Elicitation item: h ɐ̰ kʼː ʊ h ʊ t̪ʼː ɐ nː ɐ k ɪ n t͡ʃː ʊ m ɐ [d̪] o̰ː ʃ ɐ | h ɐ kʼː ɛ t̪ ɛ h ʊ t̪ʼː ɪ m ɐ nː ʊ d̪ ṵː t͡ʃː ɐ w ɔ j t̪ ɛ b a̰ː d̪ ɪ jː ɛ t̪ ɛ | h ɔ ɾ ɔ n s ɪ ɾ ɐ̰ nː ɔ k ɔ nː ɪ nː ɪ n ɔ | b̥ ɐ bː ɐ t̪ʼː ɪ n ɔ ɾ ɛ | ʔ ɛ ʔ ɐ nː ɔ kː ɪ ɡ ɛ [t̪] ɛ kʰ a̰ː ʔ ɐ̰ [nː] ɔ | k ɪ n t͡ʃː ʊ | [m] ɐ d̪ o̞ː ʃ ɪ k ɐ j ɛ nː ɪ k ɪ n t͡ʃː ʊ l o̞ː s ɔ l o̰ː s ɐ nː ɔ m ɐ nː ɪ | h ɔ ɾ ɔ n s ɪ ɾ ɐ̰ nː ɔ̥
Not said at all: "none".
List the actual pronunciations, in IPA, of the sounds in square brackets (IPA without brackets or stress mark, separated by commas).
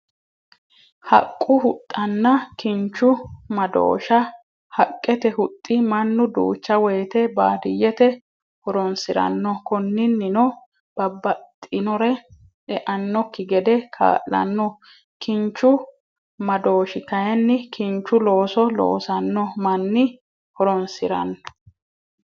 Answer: d̪, d̪, nː, m